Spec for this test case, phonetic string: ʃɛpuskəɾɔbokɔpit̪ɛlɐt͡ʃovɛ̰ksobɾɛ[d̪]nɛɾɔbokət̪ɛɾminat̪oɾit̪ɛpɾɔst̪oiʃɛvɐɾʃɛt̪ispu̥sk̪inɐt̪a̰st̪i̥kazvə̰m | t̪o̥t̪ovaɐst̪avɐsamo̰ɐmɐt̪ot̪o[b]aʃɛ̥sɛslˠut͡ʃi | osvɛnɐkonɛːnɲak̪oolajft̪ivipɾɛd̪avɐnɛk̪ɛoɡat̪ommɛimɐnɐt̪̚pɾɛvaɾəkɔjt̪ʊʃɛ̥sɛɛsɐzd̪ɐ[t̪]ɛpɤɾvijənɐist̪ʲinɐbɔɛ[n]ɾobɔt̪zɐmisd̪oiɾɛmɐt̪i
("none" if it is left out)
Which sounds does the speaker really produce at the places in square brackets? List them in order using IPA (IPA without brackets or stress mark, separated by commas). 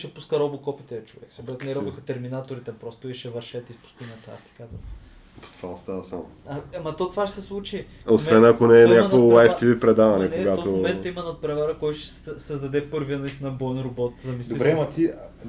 t̪, v, d̪, n